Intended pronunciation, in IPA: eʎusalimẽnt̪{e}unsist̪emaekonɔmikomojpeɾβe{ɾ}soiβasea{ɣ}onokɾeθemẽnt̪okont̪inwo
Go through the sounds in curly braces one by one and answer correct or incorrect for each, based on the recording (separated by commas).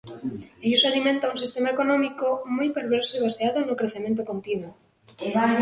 incorrect, correct, incorrect